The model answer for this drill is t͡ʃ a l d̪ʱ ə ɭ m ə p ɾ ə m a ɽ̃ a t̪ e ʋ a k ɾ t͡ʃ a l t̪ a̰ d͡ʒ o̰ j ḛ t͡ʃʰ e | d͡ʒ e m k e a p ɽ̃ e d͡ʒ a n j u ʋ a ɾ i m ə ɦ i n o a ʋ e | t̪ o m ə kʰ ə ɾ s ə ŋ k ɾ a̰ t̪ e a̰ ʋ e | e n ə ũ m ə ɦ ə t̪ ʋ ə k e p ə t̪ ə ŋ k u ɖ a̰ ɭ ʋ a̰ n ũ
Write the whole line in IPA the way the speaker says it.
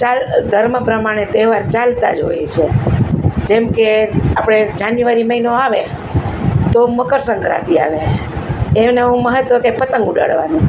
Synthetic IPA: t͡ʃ a l d̪ʱ ə ɾ m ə p ɾ ə m a ɽ̃ e t̪ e ʋ a ɾ t͡ʃ a l t̪ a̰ d͡ʒ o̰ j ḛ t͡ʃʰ e | d͡ʒ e m k e a p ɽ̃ e d͡ʒ a n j u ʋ a ɾ i m ə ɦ i n o a ʋ e | t̪ o m ə k ə ɾ s ə ŋ k ɾ a̰ t̪ i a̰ ʋ e | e n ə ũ m ə ɦ ə t̪ ʋ ə k e p ə t̪ ə ŋ ɡ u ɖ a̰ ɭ ʋ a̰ n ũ